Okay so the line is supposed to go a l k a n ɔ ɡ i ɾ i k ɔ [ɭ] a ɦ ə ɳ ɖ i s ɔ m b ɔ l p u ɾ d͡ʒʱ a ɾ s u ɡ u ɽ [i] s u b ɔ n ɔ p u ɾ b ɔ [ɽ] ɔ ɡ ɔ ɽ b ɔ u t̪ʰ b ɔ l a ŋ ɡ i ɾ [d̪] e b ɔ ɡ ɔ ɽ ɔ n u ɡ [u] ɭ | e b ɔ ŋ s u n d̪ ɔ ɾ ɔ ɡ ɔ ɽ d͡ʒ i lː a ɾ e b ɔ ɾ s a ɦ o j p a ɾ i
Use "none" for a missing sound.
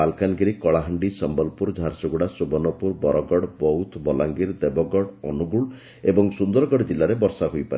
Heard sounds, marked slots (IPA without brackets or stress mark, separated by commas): ɭ, a, ɾ, d̪, u